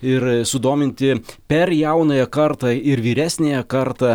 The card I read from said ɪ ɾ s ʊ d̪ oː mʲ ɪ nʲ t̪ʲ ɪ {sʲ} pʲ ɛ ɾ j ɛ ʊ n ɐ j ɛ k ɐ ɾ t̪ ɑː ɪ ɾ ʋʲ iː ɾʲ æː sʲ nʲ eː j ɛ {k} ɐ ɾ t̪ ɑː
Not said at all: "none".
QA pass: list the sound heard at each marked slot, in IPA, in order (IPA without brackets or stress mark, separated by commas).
none, k